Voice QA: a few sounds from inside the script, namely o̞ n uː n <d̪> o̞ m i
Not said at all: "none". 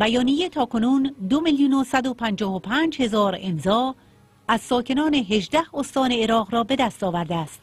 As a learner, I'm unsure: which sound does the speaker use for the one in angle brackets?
d̪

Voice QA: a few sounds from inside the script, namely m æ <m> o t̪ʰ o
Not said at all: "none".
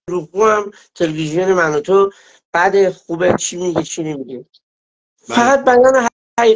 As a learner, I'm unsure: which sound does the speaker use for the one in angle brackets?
n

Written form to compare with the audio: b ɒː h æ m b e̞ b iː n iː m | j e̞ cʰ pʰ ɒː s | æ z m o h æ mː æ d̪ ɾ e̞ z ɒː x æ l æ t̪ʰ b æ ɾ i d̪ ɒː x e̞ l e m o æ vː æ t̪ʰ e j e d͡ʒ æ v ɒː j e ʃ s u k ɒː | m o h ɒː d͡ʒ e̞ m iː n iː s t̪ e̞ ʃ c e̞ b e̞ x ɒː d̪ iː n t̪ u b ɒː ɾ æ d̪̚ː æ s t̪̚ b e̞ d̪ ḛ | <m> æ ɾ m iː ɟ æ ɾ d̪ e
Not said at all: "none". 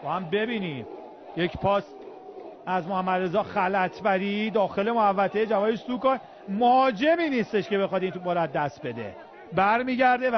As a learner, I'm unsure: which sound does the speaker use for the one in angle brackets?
b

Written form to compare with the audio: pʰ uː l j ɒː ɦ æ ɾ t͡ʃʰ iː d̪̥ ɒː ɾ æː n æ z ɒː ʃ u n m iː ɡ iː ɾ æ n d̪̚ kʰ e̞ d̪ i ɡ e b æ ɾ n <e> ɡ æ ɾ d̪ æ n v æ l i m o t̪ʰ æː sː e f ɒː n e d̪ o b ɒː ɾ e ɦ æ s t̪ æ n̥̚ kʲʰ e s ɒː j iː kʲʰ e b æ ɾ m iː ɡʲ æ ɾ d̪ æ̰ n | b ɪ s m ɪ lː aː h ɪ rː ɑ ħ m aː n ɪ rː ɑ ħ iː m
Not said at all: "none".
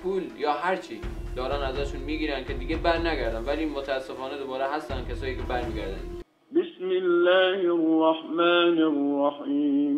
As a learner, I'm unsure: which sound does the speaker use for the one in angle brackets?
æ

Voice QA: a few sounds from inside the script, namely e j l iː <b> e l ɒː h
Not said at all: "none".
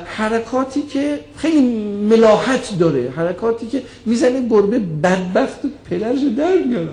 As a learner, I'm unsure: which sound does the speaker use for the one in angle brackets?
m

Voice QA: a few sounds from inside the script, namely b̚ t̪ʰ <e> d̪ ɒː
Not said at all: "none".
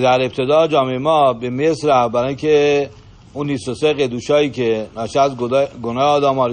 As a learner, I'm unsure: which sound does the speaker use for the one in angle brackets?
e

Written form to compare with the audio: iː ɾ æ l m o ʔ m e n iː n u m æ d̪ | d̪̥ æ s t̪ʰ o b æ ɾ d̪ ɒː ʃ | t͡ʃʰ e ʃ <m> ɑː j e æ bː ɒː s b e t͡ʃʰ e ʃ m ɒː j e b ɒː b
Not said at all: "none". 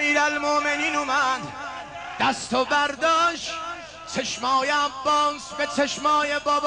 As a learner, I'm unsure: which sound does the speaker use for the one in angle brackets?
m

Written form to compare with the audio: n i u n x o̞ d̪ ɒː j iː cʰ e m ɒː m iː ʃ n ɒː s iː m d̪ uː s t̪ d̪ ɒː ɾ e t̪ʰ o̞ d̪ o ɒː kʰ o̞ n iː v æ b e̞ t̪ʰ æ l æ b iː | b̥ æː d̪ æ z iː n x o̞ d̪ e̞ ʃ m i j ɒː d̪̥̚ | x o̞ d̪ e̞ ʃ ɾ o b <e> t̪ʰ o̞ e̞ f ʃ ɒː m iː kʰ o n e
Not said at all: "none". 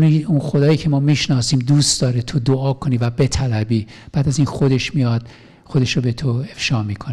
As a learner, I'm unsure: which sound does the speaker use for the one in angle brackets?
e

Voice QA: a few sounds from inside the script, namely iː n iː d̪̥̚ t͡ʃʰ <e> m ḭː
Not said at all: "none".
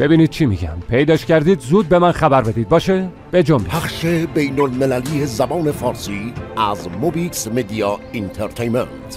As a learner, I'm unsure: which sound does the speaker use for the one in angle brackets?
i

